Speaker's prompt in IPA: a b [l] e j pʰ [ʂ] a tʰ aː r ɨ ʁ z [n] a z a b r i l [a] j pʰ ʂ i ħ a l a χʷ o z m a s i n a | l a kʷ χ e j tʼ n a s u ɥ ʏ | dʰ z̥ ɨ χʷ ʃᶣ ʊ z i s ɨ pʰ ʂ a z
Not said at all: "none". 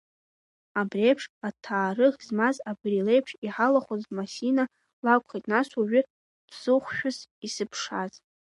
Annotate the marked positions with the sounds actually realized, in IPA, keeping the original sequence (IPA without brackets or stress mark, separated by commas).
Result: r, ʂ, m, e